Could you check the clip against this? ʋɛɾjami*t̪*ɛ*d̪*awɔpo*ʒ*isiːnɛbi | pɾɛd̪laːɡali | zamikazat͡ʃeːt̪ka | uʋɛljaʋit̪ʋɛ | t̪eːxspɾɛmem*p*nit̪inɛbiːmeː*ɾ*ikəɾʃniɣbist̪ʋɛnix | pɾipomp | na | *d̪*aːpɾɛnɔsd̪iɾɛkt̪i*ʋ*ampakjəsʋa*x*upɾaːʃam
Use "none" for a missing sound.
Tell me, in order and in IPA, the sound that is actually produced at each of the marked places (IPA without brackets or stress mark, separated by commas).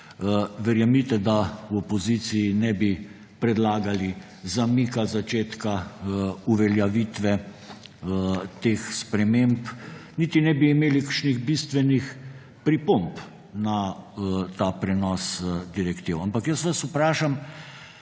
t̪, d̪, z, p, l, t̪, w, s